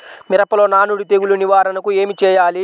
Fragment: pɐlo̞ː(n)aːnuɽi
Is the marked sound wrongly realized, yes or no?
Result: no